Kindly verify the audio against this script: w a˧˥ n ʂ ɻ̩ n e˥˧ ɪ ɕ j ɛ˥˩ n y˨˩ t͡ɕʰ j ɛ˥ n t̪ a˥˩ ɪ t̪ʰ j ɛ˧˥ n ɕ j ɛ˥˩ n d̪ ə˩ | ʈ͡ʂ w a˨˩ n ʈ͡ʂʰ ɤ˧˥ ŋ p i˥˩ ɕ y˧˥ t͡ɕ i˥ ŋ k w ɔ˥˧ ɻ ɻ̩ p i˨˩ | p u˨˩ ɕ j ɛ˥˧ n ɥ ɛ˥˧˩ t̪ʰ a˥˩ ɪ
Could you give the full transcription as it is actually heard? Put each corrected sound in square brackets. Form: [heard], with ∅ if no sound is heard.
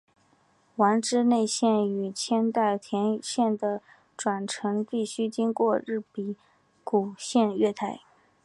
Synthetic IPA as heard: w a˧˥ n [ʈ͡ʂ] ɻ̩ n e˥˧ ɪ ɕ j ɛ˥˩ n y˨˩ t͡ɕʰ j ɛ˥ n t̪ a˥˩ ɪ t̪ʰ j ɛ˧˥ n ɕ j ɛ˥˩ n d̪ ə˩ | ʈ͡ʂ w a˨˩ n ʈ͡ʂʰ ɤ˧˥ ŋ p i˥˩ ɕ [y˥] t͡ɕ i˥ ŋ k w ɔ˥˧ ɻ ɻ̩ p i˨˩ | [k] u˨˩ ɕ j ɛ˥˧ n ɥ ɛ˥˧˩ t̪ʰ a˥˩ ɪ